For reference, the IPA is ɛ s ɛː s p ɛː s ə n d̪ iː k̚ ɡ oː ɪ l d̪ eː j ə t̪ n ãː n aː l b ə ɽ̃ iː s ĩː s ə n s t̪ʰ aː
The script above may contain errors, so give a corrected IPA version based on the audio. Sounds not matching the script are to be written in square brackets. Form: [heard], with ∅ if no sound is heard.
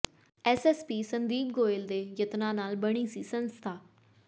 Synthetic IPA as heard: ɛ s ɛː s p [iː] s ə n d̪ iː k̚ ɡ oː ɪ l d̪ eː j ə t̪ n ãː n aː l b ə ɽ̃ iː s [iː] s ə n s t̪ʰ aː